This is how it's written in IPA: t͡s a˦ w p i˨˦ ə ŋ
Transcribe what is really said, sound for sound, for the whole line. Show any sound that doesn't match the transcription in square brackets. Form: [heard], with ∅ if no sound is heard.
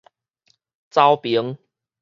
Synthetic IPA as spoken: t͡s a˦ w p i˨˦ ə ŋ